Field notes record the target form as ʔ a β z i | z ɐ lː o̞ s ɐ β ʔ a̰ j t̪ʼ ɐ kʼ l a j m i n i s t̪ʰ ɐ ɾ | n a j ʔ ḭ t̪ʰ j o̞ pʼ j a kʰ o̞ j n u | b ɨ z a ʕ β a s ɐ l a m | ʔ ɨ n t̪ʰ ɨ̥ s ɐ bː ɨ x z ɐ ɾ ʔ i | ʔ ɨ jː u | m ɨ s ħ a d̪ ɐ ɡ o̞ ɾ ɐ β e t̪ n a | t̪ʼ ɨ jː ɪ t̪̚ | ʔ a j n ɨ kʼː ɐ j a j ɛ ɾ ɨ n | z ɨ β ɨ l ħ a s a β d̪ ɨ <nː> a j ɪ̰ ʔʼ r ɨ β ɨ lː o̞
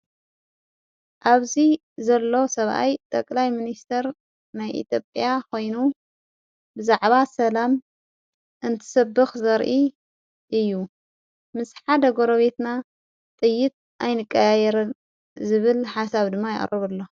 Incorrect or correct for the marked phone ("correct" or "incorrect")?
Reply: incorrect